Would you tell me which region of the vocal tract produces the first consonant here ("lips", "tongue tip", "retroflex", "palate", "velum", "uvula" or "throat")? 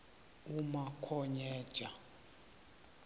lips